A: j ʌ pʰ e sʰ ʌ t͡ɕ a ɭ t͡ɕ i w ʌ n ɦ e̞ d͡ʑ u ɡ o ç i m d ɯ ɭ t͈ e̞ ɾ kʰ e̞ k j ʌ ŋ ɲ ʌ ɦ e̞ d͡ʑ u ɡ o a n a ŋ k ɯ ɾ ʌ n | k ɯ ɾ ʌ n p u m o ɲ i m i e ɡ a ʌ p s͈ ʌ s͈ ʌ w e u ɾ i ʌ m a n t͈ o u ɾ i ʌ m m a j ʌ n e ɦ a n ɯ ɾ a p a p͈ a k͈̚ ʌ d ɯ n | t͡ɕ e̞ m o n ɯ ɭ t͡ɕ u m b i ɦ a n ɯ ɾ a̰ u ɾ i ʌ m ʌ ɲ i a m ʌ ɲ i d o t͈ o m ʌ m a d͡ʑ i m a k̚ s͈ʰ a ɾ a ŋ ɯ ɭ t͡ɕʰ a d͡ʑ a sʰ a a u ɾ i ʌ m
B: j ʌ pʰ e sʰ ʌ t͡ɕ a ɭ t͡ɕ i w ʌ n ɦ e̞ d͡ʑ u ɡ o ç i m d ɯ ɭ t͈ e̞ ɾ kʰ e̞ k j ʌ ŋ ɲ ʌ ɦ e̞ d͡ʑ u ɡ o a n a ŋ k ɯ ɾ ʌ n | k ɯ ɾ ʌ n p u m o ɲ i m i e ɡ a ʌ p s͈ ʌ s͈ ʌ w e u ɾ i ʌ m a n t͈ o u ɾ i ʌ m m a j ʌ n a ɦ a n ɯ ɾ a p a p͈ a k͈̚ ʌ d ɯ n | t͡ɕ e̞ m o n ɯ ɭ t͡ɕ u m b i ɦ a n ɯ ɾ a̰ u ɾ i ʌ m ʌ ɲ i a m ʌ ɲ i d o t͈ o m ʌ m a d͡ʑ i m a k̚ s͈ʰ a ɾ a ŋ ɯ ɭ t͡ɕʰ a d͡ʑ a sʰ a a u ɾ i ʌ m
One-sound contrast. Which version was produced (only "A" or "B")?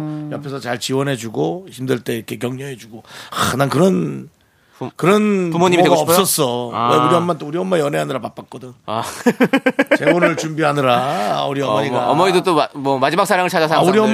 A